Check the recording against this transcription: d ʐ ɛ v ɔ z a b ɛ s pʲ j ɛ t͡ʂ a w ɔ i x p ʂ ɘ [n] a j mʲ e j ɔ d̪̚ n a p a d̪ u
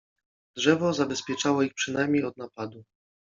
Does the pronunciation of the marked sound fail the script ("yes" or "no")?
no